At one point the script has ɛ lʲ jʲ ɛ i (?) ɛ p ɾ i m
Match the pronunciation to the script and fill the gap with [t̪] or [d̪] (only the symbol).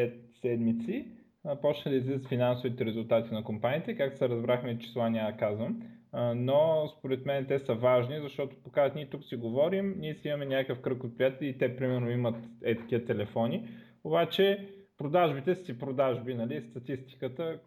t̪